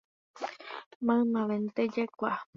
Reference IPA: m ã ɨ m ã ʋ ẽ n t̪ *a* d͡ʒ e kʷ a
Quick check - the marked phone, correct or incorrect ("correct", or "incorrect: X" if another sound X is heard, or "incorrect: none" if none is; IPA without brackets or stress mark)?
incorrect: e